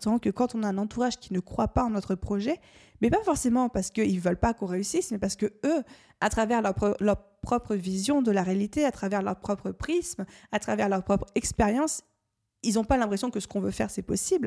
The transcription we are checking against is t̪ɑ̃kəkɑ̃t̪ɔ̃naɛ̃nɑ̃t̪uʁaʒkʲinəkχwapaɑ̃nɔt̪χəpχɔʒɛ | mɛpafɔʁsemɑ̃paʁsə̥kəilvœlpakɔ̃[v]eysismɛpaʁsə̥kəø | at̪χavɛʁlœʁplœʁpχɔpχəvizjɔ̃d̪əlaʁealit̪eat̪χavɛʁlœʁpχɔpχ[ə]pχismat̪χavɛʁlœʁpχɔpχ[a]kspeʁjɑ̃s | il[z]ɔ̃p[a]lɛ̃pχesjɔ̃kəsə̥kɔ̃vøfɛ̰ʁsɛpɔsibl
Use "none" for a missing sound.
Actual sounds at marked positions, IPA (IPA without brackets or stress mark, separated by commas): ʁ, ə, ɛ, z, a